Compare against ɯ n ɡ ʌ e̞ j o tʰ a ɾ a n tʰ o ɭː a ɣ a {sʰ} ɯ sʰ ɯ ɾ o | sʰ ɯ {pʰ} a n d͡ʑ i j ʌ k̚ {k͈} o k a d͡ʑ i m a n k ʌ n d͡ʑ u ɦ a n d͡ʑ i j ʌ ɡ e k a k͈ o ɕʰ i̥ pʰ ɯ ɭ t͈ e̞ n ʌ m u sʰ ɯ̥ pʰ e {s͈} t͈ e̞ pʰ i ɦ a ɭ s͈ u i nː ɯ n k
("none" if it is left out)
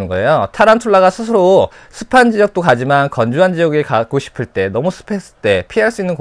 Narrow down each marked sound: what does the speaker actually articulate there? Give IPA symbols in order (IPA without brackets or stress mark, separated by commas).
sʰ, pʰ, t͈, s͈